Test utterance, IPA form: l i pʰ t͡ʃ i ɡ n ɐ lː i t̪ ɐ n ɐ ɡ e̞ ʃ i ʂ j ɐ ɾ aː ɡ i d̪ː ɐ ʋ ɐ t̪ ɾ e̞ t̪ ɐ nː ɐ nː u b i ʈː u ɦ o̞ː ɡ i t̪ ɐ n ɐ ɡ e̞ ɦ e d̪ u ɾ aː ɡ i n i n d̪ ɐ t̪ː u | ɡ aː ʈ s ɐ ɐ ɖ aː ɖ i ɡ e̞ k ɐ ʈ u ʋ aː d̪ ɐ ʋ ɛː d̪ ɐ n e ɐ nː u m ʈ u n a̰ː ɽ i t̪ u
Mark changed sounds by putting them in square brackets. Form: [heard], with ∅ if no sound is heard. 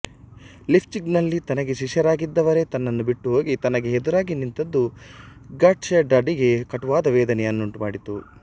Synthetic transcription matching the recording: l i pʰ t͡ʃ i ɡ n ɐ lː i t̪ ɐ n ɐ ɡ e̞ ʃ i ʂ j ɐ ɾ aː ɡ i d̪ː ɐ ʋ ɐ [∅] ɾ e̞ t̪ ɐ nː ɐ nː u b i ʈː u ɦ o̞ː ɡ i t̪ ɐ n ɐ ɡ e̞ ɦ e d̪ u ɾ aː ɡ i n i n [t̪] ɐ [d̪ː] u | ɡ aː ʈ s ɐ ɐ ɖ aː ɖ i ɡ e̞ k ɐ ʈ u ʋ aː d̪ ɐ ʋ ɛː d̪ ɐ n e ɐ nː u [ɳ] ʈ u [m] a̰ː ɽ i t̪ u